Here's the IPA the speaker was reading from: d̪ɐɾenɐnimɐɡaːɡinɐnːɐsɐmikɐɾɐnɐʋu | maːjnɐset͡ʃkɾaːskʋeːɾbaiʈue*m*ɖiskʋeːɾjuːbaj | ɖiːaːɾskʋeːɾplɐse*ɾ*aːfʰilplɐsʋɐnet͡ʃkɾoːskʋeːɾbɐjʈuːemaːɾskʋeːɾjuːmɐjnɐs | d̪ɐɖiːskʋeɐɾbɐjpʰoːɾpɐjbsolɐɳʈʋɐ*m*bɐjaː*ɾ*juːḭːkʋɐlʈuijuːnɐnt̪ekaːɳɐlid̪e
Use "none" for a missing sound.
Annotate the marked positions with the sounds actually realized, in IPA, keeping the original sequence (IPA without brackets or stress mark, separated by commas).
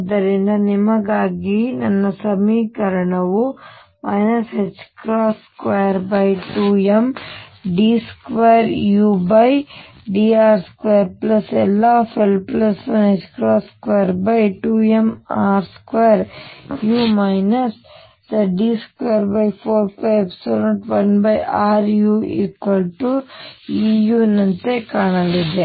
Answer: m, l, n, ɾ